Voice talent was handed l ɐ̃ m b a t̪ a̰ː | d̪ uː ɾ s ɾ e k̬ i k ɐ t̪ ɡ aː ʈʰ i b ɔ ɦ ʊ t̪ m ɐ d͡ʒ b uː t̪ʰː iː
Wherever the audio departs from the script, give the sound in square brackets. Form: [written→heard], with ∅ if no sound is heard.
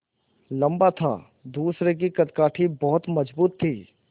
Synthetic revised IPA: l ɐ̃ m b a [t̪→t̪ʰ] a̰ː | d̪ uː [ɾ→∅] s ɾ e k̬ i k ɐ t̪ [ɡ→k] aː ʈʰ i b ɔ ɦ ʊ t̪ m ɐ d͡ʒ b uː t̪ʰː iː